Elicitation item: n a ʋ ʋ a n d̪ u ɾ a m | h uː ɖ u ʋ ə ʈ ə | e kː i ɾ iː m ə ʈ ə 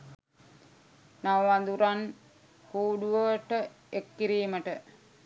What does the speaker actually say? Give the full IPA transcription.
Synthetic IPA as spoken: n a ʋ ʋ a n d̪ u ɾ a n | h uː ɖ u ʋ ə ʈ ə | e kː i ɾ iː m ə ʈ ə